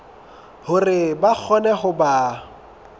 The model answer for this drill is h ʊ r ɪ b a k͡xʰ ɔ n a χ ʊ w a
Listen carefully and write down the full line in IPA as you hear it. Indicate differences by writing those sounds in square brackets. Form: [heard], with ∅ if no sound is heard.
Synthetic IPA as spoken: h ʊ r ɪ b a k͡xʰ ɔ n [ɛ] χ ʊ [b] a